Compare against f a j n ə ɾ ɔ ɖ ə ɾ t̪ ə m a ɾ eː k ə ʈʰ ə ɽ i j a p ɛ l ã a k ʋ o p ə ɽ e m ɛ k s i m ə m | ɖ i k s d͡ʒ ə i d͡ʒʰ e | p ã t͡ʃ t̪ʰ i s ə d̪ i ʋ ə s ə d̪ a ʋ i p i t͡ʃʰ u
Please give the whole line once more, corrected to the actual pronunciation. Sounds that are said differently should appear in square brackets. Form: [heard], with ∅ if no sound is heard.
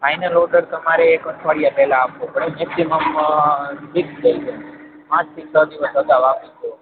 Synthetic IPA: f a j n ə [l] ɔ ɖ ə ɾ t̪ ə m a ɾ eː k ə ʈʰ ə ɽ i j a p ɛ l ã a [p] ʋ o p ə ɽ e m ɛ k s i m ə m | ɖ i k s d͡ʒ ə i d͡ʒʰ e | p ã t͡ʃ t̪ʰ i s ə d̪ i ʋ ə s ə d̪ a ʋ [a] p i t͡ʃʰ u